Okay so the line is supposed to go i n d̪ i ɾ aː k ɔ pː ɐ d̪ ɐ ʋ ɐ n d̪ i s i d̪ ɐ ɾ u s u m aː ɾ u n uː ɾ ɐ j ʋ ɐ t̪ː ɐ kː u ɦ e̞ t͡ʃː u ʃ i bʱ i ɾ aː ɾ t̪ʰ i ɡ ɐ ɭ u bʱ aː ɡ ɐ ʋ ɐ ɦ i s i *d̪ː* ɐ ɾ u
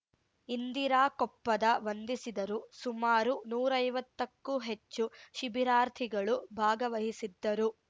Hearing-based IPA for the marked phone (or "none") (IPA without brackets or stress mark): d̪ː